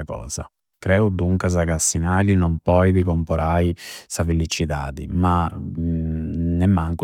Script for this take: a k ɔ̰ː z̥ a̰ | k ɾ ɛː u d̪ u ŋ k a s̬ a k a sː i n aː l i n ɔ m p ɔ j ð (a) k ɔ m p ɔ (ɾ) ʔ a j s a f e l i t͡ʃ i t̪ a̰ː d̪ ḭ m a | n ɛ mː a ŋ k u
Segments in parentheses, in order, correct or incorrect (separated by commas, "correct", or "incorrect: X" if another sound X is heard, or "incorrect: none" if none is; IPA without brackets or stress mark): incorrect: i, correct